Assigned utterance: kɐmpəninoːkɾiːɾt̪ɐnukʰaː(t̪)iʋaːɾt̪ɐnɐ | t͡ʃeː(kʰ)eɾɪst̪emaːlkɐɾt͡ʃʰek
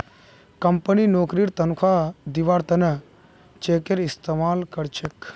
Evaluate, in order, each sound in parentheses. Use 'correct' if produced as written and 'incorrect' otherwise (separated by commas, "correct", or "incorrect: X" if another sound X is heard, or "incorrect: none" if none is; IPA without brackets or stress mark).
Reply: incorrect: d̪, incorrect: k